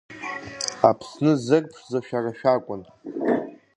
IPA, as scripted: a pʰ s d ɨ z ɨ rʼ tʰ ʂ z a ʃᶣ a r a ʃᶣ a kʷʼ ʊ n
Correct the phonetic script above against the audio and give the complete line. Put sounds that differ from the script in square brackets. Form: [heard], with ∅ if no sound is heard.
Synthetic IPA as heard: a pʰ s [n] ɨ z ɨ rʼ [pʰ] ʂ z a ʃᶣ a r a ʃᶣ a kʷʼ ʊ n